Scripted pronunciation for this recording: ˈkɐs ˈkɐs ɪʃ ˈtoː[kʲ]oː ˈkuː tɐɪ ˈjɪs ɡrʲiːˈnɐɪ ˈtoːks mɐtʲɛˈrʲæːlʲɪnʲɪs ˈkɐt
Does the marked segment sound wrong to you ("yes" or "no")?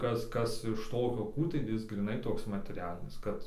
no